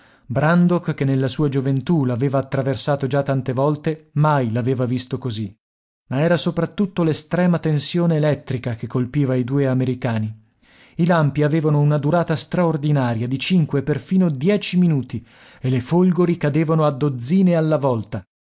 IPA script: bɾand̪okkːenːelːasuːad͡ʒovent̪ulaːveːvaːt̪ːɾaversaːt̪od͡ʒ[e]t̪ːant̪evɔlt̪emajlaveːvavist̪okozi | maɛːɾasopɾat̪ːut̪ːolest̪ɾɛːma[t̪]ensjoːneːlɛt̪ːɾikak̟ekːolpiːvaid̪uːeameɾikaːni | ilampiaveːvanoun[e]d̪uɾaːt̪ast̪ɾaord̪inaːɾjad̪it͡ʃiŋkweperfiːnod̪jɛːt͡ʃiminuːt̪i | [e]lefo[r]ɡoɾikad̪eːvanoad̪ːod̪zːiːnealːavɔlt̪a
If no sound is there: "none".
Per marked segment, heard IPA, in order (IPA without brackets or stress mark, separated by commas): a, t̪, a, e, l